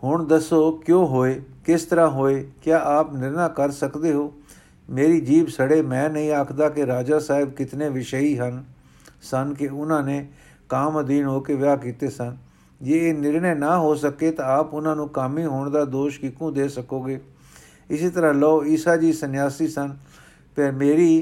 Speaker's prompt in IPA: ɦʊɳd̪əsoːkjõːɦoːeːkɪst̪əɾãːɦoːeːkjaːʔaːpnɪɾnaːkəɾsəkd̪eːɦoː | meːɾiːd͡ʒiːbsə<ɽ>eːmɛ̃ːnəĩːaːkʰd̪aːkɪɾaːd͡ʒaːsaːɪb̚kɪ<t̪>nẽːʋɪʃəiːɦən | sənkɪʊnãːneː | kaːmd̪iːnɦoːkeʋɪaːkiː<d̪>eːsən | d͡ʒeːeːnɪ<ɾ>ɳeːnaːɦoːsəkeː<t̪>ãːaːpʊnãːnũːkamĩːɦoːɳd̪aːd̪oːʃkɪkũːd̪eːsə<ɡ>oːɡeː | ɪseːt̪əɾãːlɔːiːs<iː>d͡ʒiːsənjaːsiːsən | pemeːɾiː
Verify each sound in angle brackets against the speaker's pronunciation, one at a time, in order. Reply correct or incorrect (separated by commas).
correct, correct, incorrect, correct, correct, incorrect, incorrect